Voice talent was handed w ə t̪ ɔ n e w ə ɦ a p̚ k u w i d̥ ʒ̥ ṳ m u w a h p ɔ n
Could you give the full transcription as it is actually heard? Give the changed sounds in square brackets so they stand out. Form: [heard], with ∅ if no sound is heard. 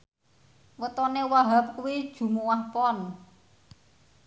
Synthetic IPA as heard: w ə t̪ ɔ n e w [a] ɦ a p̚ k u w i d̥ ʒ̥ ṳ m u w a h p ɔ n

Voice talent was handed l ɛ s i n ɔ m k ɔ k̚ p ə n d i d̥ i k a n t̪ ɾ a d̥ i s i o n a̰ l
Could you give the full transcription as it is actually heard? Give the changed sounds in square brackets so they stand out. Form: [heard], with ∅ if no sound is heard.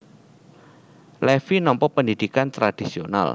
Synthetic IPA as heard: l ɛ [f] i n ɔ m [p] ɔ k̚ p ə n d i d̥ i k a n t̪ ɾ a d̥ i s i o n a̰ l

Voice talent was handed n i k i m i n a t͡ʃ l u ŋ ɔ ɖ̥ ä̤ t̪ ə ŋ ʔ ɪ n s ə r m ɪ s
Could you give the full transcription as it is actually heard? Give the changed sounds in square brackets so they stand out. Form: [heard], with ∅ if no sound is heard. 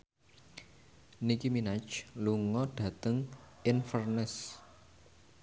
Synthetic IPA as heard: n i k i m i n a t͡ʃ l u ŋ ɔ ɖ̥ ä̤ t̪ ə ŋ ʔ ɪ n [f] ə r [n] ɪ s

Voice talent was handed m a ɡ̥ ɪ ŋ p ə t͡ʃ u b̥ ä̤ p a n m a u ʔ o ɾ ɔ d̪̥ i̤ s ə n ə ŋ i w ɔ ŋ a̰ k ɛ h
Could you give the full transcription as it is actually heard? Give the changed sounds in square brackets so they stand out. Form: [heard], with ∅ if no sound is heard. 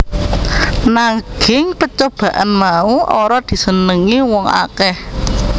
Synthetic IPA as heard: [n] a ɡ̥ ɪ ŋ p ə t͡ʃ [o] b̥ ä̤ [ʔ] a n m a u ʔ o ɾ ɔ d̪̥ i̤ s ə n ə ŋ i w ɔ ŋ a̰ k ɛ h

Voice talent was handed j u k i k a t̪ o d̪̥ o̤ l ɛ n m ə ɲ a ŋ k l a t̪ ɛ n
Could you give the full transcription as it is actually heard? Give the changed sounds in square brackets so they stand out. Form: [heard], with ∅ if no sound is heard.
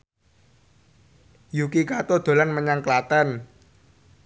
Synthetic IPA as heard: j u k i k a t̪ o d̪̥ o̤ l [a] n m ə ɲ a ŋ k l a t̪ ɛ n

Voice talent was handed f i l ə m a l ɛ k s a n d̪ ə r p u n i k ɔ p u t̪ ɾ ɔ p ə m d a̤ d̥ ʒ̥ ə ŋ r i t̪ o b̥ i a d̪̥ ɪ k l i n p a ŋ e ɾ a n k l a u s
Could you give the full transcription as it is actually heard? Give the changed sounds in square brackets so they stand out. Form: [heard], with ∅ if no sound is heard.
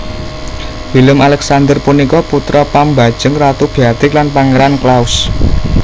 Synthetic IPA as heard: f i l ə m a l ɛ k s a n d̪ ə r p u n i k ɔ p u t̪ ɾ ɔ p [a] m [b] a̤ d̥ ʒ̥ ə ŋ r [a] t̪ [u] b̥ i a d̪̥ ɪ k l [a] n p a ŋ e ɾ a n k l a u s

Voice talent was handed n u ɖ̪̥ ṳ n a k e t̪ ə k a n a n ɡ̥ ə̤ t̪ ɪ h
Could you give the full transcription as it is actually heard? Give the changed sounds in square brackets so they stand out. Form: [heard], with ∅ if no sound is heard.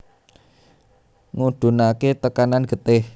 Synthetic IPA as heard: [ŋ] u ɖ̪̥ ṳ n a k e t̪ ə k a n a n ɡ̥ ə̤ t̪ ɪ h

